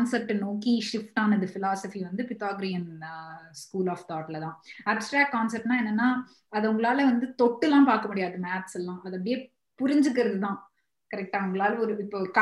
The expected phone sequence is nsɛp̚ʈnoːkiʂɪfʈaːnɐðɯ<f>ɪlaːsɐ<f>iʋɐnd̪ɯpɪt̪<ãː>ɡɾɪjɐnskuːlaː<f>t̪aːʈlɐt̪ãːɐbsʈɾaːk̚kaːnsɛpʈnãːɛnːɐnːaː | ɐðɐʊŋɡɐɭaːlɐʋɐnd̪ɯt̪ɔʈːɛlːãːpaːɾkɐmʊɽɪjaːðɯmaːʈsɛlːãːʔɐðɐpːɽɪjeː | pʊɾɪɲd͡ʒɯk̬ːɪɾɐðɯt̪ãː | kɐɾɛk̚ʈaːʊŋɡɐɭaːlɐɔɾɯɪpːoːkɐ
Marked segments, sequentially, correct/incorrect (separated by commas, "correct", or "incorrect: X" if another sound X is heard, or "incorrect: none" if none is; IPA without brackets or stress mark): correct, correct, incorrect: aː, correct